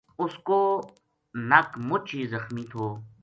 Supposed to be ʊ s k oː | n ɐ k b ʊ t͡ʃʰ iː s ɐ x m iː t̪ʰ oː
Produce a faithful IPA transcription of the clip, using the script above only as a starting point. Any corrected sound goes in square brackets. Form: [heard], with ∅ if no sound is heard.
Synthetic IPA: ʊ s k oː | n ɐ k [m] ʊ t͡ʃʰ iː [z] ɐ x m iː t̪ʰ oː